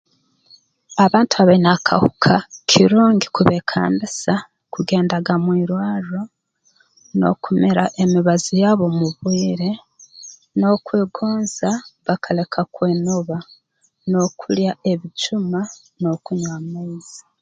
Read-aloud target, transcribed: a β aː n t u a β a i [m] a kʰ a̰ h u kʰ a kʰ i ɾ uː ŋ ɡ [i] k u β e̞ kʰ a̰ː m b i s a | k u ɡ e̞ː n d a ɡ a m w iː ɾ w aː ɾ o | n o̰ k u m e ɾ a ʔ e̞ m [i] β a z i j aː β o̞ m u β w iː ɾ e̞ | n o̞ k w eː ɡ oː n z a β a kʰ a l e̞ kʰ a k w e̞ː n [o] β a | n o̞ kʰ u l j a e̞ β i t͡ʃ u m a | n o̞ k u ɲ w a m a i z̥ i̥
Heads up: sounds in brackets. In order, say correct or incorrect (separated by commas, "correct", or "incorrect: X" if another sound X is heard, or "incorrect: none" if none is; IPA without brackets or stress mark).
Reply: incorrect: n, correct, correct, correct